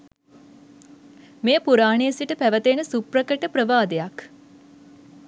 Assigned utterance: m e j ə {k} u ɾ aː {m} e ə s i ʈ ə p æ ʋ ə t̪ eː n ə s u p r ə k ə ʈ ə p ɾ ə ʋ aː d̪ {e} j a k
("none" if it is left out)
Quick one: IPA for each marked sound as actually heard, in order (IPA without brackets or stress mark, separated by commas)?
p, ɳ, e